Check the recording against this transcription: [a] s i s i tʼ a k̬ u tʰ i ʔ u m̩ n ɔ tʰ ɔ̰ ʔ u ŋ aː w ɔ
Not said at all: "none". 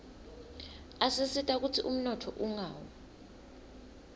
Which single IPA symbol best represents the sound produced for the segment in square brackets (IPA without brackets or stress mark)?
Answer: a